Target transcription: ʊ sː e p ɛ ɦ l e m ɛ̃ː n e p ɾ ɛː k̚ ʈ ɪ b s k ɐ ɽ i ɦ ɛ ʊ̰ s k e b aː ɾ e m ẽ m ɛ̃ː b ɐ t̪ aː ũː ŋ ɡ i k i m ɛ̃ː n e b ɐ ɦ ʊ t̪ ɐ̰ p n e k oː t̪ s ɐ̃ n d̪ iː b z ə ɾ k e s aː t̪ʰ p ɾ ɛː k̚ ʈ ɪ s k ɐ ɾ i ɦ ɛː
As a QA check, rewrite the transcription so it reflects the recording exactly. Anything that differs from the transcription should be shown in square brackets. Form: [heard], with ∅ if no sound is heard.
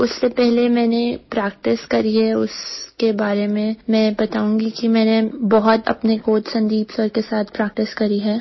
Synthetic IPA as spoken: ʊ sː e p ɛ ɦ l e m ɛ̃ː n e p ɾ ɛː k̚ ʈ ɪ [∅] s k ɐ [ɾ] i ɦ ɛ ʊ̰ s k e b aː ɾ e m ẽ m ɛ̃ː b ɐ t̪ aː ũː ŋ ɡ i k i m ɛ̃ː n e b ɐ ɦ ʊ t̪ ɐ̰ p n e k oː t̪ s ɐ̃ n d̪ iː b [s] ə ɾ k e s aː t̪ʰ p ɾ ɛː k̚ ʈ ɪ s k ɐ ɾ i ɦ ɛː